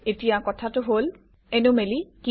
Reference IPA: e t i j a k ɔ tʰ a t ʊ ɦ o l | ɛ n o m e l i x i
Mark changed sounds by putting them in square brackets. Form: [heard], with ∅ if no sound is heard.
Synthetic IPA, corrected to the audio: e t i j a k ɔ tʰ a t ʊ ɦ o l | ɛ n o m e l i [k] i